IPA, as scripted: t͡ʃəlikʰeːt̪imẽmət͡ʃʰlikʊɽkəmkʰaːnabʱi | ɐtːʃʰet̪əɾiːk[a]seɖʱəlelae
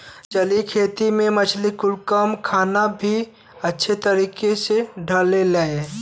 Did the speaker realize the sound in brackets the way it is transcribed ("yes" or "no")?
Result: no